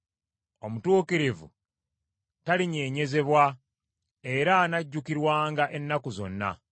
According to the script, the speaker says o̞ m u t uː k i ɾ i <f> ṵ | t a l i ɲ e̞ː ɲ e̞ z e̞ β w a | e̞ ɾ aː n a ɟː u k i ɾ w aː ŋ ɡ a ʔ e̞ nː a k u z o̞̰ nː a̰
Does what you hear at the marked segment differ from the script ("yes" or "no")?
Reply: yes